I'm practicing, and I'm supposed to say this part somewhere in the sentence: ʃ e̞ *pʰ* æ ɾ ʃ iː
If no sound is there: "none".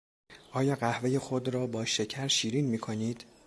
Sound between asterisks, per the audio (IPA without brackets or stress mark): cʰ